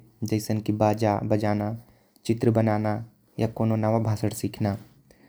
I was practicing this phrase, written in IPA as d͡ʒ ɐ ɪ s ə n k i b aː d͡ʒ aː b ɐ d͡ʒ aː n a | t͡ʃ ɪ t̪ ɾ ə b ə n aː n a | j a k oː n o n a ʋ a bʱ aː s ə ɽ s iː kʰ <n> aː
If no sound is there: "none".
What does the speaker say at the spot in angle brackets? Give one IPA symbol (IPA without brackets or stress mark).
n